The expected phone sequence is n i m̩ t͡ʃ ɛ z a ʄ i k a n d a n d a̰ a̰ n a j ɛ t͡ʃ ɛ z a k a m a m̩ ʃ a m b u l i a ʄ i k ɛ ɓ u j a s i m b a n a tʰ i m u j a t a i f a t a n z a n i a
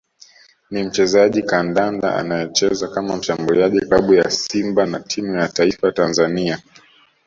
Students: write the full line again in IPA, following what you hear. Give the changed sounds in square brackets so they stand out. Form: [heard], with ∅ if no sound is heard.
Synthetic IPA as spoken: n i m̩ t͡ʃ ɛ z a ʄ i k a n d a n d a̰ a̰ n a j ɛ t͡ʃ ɛ z a k a m a m̩ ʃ a m b u l i a ʄ i k [a] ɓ u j a s i m b a n a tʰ i m u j a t a i f a t a n z a n i a